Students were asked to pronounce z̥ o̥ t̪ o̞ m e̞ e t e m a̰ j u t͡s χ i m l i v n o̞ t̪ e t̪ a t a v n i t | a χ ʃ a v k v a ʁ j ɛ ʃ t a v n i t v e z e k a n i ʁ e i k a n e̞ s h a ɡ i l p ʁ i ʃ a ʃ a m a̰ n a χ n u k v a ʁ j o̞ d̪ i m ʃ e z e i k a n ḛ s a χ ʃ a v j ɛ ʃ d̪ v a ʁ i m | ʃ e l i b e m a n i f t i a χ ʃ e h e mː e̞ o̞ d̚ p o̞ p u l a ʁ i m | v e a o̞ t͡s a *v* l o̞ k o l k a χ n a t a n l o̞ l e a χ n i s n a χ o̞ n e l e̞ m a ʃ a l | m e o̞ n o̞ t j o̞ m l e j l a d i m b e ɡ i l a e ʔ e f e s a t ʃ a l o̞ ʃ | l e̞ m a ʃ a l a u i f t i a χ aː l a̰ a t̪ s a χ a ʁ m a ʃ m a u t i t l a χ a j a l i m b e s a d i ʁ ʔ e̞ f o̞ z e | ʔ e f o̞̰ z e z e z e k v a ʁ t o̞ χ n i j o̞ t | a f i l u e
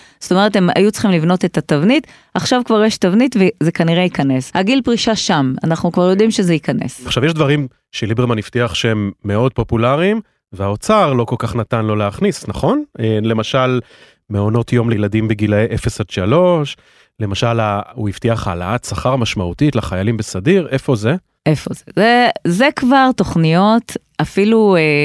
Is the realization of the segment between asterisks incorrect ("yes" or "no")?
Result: yes